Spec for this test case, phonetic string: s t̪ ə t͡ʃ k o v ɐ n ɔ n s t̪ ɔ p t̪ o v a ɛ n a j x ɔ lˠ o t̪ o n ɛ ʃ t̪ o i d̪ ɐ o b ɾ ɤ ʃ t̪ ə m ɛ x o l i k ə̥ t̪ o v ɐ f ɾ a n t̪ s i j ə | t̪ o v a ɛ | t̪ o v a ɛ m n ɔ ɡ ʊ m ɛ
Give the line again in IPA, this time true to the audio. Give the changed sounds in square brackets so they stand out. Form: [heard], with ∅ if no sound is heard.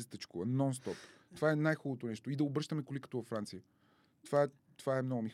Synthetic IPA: s t̪ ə t͡ʃ k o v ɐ n ɔ n s t̪ ɔ p t̪ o v a ɛ n a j x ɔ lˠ o t̪ o n ɛ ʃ t̪ o i d̪ ɐ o b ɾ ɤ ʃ t̪ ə m ɛ [k] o l i k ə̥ t̪ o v ɐ f ɾ a n t̪ s i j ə | t̪ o v a ɛ | t̪ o v a ɛ m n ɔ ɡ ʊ m [i]